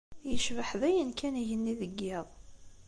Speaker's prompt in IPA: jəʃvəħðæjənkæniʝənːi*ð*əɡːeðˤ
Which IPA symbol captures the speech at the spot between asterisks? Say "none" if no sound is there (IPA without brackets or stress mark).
ð